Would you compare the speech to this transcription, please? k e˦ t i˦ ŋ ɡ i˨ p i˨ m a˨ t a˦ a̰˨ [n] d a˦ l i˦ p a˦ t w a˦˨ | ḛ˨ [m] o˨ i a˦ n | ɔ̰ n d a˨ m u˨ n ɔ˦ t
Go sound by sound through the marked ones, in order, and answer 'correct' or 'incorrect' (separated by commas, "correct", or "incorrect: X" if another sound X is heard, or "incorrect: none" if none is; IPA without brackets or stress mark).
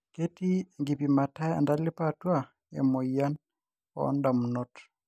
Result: correct, correct